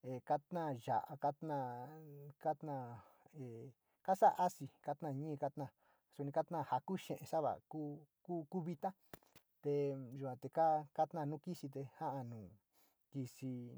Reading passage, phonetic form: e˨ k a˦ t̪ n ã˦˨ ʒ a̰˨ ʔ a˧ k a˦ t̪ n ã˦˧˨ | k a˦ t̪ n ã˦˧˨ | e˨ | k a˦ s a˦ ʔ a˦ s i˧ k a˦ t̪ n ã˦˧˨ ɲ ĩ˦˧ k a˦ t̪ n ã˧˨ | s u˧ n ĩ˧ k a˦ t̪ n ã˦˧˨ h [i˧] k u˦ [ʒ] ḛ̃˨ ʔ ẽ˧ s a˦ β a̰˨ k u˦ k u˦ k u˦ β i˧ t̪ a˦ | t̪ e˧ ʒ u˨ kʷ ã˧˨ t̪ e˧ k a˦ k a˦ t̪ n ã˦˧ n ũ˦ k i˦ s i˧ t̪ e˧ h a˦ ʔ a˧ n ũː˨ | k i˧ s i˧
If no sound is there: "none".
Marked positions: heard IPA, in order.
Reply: a˧, ʃ

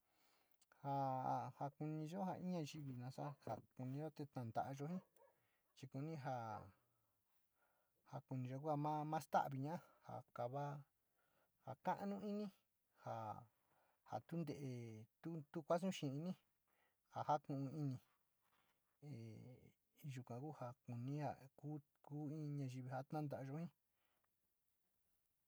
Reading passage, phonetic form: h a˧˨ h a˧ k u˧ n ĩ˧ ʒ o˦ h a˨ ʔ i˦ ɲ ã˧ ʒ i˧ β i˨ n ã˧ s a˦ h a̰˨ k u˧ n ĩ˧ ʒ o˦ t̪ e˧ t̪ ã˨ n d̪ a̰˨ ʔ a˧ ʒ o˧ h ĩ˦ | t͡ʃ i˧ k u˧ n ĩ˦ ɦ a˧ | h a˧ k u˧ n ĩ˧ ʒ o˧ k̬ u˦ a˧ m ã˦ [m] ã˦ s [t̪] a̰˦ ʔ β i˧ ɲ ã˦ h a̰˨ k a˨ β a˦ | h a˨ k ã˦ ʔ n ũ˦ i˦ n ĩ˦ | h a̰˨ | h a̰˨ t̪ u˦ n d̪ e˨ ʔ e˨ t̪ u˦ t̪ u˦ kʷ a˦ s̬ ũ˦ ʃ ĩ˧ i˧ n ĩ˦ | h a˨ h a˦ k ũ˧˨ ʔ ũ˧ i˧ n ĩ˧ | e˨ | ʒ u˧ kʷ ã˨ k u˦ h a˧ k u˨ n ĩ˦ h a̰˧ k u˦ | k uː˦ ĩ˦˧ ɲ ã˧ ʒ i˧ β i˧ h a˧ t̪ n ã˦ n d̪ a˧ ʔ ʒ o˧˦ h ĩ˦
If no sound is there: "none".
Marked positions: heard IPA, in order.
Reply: m, t̪

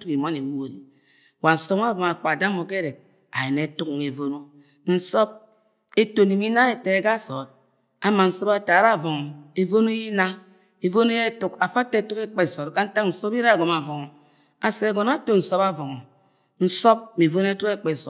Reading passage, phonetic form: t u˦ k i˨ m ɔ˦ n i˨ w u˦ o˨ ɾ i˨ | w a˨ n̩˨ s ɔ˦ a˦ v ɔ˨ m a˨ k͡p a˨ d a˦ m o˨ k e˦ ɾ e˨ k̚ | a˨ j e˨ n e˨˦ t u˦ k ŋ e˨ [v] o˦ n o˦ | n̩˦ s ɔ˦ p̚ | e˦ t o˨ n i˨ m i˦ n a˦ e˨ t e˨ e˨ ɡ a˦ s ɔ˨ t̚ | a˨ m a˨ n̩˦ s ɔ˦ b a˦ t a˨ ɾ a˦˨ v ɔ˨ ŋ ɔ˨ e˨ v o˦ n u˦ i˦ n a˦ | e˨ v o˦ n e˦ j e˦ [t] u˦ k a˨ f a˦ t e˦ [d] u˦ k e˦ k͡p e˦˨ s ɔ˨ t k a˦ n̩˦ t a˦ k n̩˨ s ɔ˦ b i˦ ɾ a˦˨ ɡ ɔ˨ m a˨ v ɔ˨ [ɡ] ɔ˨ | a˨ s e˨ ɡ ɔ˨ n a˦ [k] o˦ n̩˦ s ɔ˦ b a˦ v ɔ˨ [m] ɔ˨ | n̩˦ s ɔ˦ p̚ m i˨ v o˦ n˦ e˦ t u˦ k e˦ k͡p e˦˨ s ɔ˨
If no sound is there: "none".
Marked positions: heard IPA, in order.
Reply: v, t, t, ŋ, t, ŋ

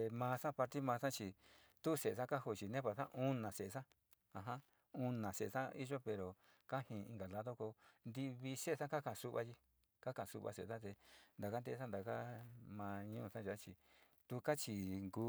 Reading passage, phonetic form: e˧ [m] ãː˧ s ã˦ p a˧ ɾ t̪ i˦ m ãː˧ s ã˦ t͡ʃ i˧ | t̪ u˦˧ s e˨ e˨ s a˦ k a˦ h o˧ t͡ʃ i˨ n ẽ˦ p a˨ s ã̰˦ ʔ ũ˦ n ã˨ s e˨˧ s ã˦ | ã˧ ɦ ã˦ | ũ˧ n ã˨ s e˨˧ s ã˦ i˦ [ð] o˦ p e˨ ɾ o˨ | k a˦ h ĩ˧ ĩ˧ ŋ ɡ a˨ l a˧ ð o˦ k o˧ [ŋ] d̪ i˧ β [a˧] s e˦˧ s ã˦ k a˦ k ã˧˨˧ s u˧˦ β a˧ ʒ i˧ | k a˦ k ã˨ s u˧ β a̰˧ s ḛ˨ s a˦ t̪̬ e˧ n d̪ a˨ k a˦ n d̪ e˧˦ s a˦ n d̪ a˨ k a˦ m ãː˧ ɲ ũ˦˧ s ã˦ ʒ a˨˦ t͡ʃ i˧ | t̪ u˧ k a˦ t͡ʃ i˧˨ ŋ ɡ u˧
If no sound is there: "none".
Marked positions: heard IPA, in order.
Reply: m, ʒ, n, i˧

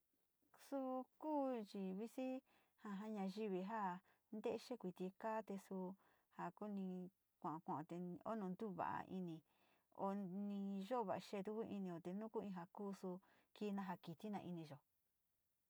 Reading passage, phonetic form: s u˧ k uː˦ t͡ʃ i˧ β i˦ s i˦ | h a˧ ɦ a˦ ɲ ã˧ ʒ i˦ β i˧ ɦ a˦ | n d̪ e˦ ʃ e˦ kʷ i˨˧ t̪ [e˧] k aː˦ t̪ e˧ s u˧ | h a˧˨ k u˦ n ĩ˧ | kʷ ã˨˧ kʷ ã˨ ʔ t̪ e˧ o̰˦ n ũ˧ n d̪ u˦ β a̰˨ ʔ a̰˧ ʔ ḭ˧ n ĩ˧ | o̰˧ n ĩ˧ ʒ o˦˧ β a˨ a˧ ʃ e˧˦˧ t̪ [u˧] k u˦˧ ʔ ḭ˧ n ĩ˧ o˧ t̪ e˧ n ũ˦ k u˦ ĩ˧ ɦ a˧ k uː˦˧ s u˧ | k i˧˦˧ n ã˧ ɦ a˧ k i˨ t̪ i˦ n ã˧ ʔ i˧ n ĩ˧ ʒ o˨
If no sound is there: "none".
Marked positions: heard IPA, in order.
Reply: i˧, u˧

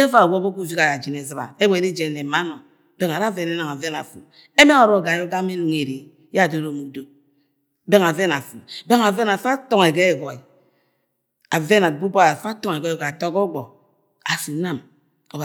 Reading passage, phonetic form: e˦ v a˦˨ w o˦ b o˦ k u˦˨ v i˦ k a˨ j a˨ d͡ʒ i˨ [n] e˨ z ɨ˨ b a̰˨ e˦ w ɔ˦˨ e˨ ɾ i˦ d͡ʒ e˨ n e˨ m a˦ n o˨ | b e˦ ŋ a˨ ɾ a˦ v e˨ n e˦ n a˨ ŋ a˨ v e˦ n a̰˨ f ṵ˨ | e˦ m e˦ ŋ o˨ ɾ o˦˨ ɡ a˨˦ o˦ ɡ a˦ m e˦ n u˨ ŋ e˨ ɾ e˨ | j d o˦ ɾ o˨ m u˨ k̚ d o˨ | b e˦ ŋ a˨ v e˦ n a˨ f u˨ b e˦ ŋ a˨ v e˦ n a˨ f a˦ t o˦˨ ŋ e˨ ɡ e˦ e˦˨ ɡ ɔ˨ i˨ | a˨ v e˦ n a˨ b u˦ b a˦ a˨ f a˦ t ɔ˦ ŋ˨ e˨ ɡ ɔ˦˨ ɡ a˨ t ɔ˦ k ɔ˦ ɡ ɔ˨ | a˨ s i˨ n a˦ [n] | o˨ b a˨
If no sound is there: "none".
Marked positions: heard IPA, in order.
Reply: n, m

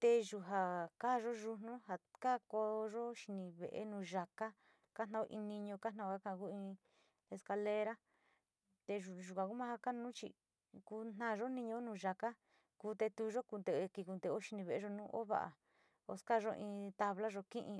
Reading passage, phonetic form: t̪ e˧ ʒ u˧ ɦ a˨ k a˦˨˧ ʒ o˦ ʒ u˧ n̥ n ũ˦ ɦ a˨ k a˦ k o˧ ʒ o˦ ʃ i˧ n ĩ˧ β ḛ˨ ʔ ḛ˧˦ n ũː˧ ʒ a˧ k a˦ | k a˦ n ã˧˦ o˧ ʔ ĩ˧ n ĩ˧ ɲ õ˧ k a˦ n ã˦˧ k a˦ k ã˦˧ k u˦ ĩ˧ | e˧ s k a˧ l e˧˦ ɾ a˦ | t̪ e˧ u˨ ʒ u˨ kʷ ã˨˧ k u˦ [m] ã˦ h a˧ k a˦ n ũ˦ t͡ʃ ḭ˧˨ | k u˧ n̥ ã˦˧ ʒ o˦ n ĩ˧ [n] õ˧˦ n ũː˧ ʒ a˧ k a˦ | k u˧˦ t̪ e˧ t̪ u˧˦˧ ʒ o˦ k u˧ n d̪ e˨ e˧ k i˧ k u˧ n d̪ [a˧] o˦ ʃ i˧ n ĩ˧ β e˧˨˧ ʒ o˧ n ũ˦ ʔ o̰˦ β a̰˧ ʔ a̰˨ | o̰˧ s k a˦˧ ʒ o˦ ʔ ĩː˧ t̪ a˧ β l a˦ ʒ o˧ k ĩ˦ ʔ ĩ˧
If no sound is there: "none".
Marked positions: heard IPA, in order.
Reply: m, ɲ, e˧

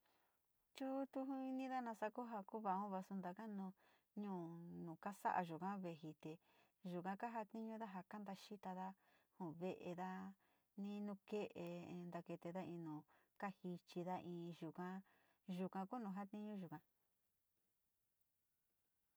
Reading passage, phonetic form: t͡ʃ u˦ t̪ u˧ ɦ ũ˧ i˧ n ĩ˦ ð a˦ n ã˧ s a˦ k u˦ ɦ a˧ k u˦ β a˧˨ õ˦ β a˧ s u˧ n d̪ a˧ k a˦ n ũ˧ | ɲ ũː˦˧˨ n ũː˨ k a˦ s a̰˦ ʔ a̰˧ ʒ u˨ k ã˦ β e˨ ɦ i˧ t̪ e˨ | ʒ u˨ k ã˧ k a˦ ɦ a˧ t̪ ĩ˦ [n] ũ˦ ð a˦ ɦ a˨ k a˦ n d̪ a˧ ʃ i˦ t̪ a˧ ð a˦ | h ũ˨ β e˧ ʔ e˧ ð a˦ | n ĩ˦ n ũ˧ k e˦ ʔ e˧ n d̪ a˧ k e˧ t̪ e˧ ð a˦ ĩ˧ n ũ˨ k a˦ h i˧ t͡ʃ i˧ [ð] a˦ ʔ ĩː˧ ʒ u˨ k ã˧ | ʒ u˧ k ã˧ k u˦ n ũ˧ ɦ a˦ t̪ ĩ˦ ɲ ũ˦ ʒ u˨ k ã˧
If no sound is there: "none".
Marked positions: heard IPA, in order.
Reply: ɲ, ð

